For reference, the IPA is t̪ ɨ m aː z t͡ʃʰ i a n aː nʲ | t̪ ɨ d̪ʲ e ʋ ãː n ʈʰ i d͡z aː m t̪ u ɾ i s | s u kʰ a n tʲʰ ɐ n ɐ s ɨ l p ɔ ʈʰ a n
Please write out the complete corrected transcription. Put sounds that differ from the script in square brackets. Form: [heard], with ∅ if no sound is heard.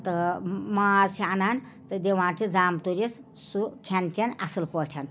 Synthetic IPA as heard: t̪ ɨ m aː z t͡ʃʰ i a n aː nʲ | t̪ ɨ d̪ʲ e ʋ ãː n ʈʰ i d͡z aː m t̪ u ɾ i s | s u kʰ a n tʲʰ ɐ n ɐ s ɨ l p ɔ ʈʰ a n